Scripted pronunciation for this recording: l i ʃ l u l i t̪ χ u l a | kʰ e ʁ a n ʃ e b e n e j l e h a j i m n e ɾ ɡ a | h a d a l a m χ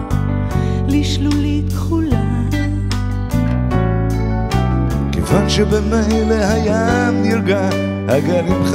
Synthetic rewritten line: l i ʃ l u l i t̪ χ u l a | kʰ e v a n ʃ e b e m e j l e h a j a m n i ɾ ɡ a | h a ɡ a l i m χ